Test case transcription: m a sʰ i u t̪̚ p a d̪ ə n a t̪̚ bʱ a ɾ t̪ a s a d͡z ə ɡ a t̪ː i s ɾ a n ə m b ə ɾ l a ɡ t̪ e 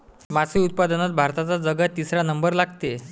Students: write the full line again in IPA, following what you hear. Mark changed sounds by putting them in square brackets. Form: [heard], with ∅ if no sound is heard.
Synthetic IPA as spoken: m a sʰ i u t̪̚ p a d̪ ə n a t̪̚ bʱ a ɾ t̪ a [t͡s] a d͡z ə ɡ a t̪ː i s ɾ a n ə m b ə ɾ l a ɡ t̪ e